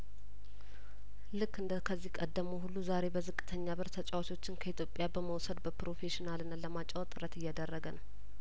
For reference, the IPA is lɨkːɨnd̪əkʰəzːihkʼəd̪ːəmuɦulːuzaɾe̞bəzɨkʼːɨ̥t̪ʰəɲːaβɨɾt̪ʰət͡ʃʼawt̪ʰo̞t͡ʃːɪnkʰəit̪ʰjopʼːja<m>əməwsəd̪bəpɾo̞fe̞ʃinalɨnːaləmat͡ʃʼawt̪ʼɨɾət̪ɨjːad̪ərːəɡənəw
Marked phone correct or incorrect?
incorrect